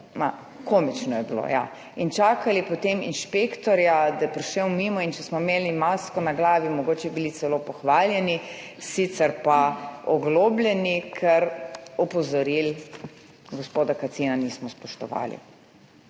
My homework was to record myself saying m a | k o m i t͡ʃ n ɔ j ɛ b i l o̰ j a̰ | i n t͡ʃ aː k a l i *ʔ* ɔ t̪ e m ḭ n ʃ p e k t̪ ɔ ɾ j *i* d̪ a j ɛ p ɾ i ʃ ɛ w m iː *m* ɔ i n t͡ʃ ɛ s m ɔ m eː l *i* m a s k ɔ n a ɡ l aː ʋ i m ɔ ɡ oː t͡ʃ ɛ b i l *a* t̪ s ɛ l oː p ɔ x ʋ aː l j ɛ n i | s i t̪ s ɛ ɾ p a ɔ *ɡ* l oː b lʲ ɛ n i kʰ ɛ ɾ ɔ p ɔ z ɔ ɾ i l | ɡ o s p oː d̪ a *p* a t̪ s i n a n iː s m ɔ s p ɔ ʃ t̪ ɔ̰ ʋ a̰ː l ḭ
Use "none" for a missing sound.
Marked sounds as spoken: p, a, m, i, i, ɡ, k

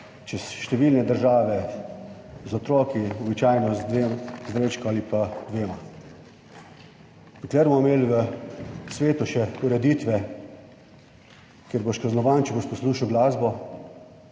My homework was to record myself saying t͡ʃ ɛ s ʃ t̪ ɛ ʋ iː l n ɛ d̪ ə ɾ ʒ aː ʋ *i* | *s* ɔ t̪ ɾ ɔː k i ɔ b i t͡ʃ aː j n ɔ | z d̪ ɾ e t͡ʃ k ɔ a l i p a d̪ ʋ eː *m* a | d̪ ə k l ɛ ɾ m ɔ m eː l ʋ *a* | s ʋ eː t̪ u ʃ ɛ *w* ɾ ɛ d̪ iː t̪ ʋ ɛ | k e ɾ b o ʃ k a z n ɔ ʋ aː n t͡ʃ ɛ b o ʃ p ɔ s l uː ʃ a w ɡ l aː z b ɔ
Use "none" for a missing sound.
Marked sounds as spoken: ɛ, z, m, ə, u

